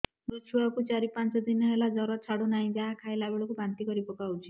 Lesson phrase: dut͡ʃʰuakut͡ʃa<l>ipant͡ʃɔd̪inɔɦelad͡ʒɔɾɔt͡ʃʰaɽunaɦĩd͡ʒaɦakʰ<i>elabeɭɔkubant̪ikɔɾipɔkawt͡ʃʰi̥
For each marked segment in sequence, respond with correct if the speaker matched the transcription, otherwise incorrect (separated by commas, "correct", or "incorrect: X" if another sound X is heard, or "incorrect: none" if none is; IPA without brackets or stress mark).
incorrect: ɾ, incorrect: a